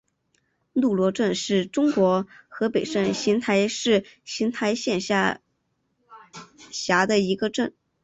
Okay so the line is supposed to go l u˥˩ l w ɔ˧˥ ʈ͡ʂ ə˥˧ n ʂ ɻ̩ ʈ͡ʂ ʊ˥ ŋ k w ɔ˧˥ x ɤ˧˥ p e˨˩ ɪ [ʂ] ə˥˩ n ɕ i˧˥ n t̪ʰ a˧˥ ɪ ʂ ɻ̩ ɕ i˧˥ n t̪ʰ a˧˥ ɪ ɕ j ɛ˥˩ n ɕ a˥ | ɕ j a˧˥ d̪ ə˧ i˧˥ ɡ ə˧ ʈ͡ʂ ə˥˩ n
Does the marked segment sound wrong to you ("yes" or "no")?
no